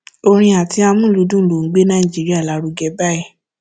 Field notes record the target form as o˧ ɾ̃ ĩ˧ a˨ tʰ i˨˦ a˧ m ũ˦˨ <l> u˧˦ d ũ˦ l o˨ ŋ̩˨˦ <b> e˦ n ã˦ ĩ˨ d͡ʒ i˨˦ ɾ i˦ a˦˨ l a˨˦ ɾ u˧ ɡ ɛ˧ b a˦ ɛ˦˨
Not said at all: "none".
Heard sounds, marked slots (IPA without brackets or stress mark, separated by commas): l, ɡ͡b